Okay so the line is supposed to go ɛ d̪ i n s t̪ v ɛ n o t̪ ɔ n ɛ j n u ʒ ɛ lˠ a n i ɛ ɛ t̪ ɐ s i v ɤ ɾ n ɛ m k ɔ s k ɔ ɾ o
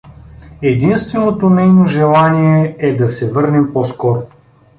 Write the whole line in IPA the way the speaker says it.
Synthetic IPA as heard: ɛ d̪ i n s t̪ v ɛ n o t̪ o n ɛ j n o ʒ ɛ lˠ a n i ɛ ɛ d̪ ɐ s ɛ v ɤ ɾ n ɛ m p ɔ s k ɔ ɾ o